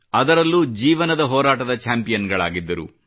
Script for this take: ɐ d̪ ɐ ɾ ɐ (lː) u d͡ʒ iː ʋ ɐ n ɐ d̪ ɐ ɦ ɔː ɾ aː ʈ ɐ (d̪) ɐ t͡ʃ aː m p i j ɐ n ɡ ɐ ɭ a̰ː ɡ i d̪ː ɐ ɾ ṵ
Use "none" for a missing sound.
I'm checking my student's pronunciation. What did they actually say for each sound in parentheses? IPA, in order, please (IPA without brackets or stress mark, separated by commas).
lː, d̪